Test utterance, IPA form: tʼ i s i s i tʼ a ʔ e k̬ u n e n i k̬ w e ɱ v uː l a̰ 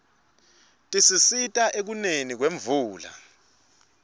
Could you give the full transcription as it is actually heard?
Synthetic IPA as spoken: tʼ i s i s i tʼ a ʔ e k̬ u n e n i k̬ w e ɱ v uː l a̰